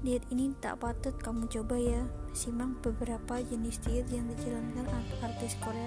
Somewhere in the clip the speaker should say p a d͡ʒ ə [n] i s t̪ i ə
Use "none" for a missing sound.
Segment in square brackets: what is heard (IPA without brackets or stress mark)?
n